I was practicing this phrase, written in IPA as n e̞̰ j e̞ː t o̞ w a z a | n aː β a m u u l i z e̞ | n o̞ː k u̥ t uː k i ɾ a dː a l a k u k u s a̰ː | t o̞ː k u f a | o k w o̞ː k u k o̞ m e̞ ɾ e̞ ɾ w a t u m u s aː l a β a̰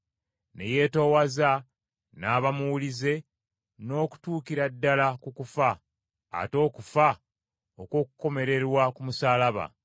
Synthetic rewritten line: n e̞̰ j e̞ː t o̞ w a z a | n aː β a m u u l i z e̞ | n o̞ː k u̥ t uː k i ɾ a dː a l a k u k u f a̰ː | t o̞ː k u f a | o k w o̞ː k u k o̞ m e̞ ɾ e̞ ɾ w a k u m u s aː l a β a̰